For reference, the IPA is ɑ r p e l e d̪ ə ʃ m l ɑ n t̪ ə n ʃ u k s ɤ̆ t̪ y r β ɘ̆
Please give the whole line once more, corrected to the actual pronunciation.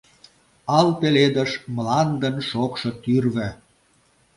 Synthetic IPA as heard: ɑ l p e l e d̪ ə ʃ m l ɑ n d̪ ə n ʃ o k ʃ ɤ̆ t̪ y r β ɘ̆